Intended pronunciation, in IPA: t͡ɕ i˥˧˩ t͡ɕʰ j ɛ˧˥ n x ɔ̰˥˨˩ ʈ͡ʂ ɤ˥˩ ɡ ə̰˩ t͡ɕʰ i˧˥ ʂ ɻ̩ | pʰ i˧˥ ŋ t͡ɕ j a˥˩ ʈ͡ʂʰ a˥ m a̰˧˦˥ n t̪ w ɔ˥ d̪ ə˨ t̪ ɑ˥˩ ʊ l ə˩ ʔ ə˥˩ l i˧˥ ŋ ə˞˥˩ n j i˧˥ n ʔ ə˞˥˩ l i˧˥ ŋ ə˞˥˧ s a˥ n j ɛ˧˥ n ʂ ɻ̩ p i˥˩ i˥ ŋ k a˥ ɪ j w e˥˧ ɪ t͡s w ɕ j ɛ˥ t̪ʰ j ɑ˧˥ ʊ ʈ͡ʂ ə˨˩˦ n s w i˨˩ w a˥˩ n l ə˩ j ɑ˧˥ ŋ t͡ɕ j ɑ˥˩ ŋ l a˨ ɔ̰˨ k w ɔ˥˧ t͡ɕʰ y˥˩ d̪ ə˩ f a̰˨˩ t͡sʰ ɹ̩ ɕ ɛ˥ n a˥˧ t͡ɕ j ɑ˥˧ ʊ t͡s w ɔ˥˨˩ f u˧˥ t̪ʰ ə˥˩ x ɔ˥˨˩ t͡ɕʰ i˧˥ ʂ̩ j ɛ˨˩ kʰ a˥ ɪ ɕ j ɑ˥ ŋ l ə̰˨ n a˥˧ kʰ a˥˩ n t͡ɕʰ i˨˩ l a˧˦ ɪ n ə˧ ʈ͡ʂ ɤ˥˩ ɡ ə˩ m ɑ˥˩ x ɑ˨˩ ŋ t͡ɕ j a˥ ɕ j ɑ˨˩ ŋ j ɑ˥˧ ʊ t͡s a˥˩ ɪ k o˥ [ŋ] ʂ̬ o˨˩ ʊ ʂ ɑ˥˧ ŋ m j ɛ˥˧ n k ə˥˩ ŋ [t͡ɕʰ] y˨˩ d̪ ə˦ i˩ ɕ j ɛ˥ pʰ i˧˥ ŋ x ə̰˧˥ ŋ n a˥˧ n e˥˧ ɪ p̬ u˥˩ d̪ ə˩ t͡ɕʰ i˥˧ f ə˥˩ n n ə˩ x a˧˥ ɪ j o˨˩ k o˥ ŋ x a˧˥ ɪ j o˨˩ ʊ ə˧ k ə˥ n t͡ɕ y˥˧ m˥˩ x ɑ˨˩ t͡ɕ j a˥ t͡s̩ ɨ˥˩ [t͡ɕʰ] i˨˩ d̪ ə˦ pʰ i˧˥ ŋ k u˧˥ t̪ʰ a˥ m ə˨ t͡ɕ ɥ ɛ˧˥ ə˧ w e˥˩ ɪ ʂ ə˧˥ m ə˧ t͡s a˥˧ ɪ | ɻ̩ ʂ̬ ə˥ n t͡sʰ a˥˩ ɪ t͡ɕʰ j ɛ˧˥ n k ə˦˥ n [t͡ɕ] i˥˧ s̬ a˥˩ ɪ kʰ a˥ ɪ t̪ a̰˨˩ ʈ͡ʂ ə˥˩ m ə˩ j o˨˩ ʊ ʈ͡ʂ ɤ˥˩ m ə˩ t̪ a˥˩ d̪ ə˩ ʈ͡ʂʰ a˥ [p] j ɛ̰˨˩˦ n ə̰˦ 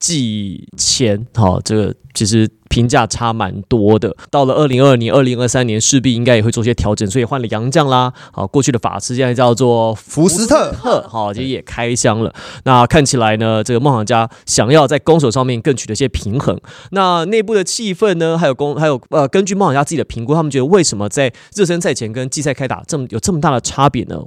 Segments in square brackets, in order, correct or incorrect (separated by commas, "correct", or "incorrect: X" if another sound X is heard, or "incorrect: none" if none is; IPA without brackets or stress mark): correct, correct, incorrect: t͡ɕ, correct, correct